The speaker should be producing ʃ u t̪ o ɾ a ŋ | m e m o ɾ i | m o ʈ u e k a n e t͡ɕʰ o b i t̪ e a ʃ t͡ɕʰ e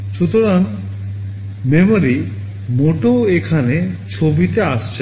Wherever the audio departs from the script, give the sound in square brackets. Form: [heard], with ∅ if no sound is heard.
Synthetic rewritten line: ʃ u t̪ o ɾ a [n] | m e m o ɾ i | m o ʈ [o] e [kʰ] a n e t͡ɕʰ o b i t̪ e a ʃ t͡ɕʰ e